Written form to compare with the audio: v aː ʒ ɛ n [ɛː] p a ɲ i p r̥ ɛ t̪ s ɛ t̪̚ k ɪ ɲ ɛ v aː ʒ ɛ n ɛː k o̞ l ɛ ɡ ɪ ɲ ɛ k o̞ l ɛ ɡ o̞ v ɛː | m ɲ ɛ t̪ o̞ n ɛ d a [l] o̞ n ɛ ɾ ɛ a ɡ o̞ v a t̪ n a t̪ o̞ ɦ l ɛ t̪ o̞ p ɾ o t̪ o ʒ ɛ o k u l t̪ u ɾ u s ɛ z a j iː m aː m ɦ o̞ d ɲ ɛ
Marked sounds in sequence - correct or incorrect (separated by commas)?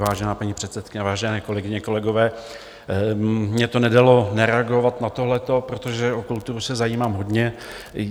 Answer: incorrect, correct